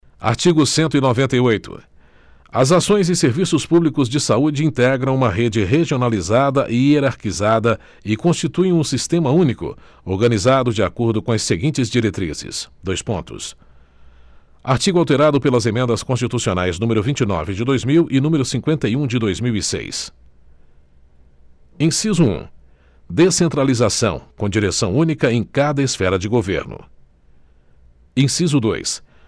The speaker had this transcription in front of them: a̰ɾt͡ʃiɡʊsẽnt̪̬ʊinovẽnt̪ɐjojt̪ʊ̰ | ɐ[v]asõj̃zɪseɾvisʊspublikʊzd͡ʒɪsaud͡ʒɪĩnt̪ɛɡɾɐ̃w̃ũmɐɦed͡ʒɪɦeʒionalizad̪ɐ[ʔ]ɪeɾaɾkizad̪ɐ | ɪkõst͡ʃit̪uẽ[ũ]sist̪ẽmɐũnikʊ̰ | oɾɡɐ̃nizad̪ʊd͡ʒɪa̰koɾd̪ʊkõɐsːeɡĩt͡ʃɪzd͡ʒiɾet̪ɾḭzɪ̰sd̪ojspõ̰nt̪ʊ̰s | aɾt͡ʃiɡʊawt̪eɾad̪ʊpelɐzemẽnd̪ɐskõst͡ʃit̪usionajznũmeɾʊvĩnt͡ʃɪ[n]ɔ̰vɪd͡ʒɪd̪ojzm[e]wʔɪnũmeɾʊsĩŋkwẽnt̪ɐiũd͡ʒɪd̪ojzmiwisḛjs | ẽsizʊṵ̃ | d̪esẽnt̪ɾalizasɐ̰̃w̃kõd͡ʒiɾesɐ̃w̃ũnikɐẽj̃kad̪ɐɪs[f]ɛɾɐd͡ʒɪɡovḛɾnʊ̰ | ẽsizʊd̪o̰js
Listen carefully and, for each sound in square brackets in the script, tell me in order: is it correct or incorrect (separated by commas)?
incorrect, correct, correct, correct, incorrect, correct